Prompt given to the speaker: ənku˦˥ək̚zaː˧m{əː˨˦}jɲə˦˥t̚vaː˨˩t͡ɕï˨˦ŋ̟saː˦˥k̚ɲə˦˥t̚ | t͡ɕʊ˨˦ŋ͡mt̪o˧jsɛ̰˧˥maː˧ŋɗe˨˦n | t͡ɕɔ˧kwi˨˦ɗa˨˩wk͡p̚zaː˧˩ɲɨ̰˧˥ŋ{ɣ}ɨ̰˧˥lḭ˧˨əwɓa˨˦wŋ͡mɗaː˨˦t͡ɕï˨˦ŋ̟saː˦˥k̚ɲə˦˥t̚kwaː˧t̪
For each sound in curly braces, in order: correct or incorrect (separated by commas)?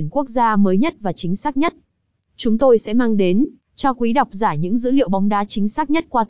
correct, incorrect